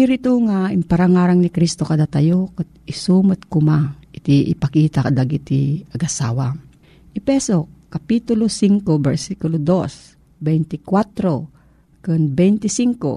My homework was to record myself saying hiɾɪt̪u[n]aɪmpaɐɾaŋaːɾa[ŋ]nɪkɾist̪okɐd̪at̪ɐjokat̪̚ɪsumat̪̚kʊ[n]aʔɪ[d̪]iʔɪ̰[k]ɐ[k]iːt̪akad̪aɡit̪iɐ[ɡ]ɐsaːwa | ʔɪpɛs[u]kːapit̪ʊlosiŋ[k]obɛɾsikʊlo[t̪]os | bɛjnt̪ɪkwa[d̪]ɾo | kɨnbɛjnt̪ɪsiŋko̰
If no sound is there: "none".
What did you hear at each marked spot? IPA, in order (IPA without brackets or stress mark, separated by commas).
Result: ŋ, ŋ, m, t̪, p, k, ɡ, o, k, d̪, t̪